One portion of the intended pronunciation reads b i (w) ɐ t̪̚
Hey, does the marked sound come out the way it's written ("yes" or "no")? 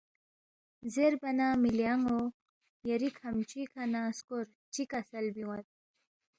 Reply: yes